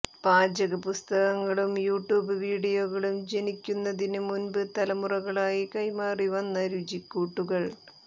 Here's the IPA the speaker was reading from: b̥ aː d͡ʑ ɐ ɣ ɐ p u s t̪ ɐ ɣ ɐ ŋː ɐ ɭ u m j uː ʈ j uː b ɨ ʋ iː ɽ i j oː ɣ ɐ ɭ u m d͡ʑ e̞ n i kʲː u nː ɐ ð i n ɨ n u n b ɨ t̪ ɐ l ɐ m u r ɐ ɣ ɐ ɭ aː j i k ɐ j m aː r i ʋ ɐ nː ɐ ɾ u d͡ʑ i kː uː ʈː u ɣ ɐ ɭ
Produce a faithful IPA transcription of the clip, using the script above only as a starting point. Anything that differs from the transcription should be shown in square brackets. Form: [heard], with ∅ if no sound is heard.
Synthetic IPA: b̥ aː d͡ʑ ɐ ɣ ɐ p u s t̪ ɐ ɣ ɐ ŋː ɐ ɭ u m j uː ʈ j uː b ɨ ʋ iː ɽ i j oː ɣ ɐ ɭ u m d͡ʑ e̞ n i kʲː u nː ɐ ð i n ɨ [m] u n b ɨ t̪ ɐ l ɐ m u r ɐ ɣ ɐ ɭ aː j i k ɐ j m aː r i ʋ ɐ nː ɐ ɾ u d͡ʑ i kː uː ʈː u ɣ ɐ ɭ